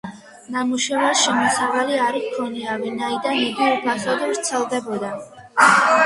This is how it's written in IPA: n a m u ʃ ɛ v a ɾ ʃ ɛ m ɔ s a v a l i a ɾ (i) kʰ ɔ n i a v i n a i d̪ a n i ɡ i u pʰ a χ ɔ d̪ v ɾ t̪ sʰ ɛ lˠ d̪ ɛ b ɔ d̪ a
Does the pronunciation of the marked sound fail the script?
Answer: no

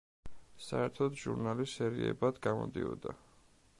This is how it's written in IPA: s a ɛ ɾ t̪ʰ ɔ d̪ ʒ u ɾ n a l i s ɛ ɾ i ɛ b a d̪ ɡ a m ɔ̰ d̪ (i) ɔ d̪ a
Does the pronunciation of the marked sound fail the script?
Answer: no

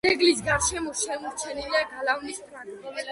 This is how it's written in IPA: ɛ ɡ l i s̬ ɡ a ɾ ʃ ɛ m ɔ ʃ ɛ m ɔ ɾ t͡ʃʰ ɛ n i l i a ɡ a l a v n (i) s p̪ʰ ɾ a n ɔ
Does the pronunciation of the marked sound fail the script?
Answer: no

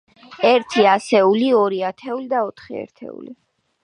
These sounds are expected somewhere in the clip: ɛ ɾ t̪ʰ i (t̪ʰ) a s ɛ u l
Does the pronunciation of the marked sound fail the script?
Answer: yes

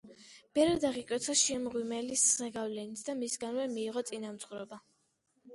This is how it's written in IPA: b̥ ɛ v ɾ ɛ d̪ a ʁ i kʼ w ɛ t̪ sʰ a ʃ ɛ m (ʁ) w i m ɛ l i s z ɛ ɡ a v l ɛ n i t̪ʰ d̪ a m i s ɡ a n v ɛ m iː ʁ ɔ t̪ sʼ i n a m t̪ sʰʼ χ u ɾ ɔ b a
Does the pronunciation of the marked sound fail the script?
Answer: no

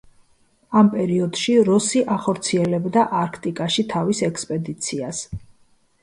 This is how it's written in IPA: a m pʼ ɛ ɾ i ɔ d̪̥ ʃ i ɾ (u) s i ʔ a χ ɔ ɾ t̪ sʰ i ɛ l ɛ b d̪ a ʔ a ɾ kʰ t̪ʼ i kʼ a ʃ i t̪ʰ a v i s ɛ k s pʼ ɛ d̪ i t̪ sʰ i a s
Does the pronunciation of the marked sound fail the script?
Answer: yes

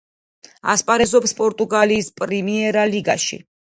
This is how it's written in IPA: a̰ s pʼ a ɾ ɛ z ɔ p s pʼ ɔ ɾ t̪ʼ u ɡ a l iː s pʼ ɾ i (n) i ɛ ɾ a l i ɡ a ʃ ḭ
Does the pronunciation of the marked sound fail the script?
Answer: yes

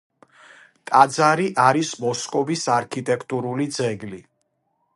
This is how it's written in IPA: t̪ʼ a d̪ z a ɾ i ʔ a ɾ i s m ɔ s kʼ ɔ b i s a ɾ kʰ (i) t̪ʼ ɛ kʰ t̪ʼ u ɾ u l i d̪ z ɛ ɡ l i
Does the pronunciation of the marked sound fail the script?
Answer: no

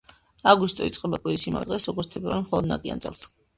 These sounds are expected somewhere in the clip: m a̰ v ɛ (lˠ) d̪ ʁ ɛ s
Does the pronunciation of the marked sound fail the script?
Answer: yes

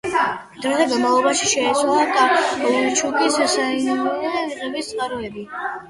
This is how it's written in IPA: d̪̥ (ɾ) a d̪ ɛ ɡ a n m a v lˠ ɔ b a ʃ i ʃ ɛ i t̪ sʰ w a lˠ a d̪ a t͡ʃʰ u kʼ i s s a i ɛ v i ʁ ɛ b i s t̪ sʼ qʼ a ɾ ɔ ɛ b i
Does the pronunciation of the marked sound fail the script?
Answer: no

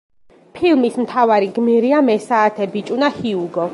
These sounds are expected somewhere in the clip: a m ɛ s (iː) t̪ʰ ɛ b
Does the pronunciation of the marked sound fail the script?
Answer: yes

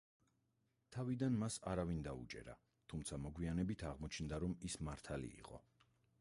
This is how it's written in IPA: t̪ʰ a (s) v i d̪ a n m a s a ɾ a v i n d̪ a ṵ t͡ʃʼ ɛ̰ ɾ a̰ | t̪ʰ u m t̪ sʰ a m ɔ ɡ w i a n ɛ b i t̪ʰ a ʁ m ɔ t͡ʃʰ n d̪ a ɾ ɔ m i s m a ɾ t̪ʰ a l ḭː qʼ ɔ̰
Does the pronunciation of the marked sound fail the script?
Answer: yes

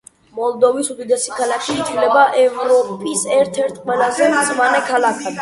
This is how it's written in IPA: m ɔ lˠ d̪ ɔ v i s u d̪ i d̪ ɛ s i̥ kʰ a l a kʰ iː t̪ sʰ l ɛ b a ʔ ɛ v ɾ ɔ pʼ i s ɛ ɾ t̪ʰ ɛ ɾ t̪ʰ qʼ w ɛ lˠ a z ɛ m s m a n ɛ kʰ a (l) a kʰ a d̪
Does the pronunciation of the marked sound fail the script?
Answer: no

